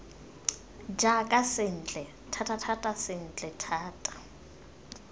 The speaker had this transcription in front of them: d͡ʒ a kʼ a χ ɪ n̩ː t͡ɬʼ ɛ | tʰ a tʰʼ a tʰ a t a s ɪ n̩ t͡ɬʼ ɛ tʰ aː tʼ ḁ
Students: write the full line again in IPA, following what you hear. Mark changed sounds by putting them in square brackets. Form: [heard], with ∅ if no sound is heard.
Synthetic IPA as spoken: d͡ʒ a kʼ a [s] ɪ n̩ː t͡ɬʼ ɛ | tʰ a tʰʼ a tʰ a [tʼ] a s ɪ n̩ t͡ɬʼ ɛ tʰ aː tʼ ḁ